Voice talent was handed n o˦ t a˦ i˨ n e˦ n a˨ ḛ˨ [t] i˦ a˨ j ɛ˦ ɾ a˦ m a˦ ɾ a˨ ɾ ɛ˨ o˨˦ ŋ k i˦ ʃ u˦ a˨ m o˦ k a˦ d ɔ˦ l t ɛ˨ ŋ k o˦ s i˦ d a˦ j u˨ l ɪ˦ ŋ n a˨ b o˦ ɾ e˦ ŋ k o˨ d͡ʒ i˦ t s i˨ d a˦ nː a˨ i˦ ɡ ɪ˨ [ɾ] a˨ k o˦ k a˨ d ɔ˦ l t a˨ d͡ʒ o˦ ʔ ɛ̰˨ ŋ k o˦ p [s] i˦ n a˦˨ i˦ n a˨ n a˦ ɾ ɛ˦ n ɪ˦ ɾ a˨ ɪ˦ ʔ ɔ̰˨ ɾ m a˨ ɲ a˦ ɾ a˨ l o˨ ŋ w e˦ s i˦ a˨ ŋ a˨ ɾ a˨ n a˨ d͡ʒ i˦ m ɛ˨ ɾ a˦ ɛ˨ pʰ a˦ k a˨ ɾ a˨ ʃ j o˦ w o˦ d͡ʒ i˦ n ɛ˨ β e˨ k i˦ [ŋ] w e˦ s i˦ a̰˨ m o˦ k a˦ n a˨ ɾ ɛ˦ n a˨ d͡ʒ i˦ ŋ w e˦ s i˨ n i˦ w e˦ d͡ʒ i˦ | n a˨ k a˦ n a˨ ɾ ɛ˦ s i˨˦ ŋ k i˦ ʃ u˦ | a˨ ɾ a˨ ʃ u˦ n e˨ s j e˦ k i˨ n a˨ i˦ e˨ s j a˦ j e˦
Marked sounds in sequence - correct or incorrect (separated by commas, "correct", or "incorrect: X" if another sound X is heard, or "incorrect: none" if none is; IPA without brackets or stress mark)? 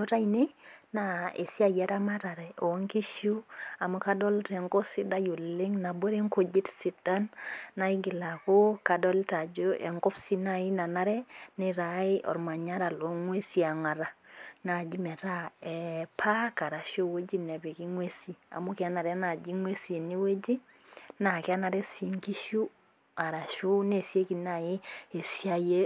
incorrect: s, incorrect: l, correct, correct